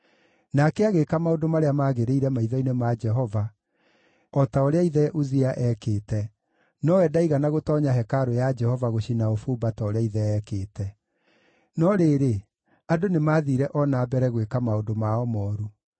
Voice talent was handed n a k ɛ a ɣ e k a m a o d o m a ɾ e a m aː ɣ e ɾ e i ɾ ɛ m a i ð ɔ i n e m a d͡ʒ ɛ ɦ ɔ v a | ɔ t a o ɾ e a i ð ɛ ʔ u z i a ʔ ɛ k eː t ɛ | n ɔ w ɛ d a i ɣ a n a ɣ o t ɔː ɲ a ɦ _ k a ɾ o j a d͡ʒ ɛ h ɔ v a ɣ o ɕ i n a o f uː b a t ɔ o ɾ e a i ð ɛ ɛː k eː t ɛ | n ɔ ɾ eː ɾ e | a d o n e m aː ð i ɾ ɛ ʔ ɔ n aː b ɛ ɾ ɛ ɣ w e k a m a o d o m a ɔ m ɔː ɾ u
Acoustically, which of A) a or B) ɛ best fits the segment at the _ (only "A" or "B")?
B